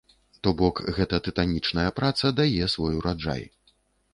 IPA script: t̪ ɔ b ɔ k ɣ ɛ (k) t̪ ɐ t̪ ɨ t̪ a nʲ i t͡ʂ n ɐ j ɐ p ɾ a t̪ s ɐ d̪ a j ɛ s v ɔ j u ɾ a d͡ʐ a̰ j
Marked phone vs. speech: incorrect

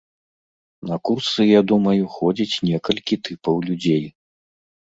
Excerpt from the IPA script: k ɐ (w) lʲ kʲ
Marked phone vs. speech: incorrect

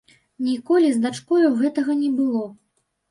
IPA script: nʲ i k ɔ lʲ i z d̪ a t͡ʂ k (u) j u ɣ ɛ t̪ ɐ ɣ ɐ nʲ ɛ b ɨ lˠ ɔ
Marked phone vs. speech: incorrect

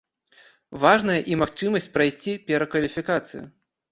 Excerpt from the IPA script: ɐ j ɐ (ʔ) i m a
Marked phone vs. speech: correct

